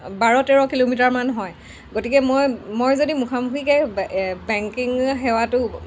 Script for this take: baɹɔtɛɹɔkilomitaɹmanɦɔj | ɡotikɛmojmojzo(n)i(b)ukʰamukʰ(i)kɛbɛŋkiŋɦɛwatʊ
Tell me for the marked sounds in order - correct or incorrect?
incorrect: d, incorrect: m, correct

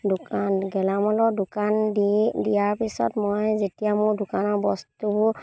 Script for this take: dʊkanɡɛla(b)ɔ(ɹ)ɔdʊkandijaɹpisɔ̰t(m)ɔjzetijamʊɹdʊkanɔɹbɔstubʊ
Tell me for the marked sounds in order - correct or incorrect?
incorrect: m, incorrect: l, correct

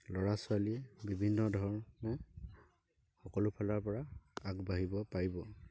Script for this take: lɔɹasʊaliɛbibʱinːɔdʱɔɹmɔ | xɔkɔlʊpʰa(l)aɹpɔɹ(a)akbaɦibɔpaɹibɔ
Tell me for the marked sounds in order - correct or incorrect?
correct, correct

